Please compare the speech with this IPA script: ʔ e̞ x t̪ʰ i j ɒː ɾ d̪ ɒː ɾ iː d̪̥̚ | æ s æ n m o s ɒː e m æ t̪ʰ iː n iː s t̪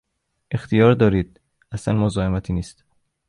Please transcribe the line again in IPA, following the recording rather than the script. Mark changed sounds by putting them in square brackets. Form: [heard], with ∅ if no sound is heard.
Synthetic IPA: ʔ e̞ x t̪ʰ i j ɒː ɾ d̪ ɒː ɾ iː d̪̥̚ | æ s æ n m o [z] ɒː e m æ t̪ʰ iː n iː s t̪